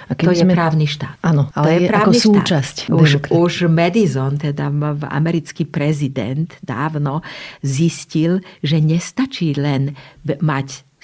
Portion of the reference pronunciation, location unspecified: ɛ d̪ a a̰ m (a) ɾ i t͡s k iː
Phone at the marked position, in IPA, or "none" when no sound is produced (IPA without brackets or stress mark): ɛ